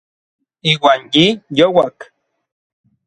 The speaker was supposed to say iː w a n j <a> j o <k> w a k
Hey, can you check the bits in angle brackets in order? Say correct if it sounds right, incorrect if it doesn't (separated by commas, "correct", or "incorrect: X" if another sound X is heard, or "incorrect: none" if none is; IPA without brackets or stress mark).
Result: incorrect: i, incorrect: none